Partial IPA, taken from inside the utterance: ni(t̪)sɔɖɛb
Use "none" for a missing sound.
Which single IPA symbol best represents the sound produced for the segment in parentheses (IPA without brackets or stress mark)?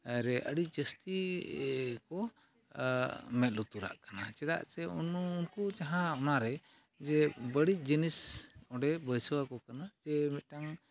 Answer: none